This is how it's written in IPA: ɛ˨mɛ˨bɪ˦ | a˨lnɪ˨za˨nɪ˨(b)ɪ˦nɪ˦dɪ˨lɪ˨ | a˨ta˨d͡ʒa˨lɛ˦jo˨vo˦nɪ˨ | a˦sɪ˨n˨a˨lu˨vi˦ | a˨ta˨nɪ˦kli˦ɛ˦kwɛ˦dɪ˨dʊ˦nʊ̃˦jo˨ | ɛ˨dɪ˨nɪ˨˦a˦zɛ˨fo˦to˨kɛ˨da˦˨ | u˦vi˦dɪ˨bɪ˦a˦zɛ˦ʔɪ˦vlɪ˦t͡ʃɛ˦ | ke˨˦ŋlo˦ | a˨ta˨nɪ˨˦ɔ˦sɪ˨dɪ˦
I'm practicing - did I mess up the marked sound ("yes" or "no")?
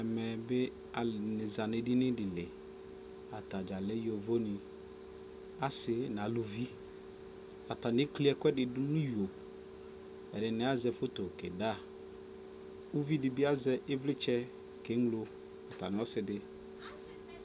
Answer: yes